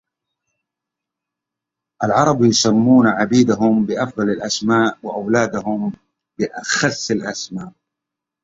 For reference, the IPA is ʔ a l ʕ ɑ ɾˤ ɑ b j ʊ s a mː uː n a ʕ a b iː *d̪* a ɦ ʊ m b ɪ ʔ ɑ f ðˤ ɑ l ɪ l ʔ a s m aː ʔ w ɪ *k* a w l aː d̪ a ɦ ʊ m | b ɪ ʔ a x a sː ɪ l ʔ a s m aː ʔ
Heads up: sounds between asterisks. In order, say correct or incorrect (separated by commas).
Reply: correct, incorrect